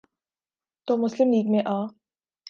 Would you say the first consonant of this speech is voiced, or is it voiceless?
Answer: voiceless